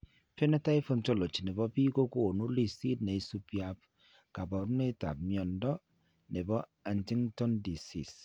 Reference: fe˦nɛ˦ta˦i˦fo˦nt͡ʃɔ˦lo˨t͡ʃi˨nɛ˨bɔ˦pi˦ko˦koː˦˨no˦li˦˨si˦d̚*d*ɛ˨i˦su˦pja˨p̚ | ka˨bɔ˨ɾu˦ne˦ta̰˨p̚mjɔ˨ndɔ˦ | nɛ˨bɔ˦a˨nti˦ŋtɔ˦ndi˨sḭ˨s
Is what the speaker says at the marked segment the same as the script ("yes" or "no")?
no